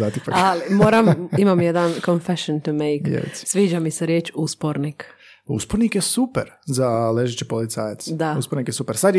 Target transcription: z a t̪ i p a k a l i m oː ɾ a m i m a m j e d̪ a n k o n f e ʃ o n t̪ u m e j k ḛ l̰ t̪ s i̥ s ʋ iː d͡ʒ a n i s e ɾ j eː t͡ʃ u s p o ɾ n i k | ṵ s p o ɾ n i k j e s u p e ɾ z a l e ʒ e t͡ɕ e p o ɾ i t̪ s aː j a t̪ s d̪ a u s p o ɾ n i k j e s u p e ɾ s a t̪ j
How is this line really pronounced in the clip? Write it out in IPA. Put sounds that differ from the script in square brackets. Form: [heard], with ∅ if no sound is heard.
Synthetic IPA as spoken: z a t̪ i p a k a l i m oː ɾ a m i m a m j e d̪ a n k o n f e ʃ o n t̪ u m e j k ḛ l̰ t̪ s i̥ s ʋ iː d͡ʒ a [m] i s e ɾ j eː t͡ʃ u s p o ɾ n i k | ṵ s p o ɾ n i k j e s u p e ɾ z a l e ʒ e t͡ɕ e p o [l] i t̪ s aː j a t̪ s d̪ a u s p o ɾ n i k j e s u p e ɾ s a [d̪] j